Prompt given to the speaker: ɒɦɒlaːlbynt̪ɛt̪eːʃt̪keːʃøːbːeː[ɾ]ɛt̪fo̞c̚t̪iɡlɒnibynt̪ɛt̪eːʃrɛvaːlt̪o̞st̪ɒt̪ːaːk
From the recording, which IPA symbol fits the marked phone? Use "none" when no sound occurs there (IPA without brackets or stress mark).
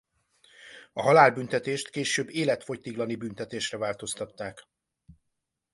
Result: l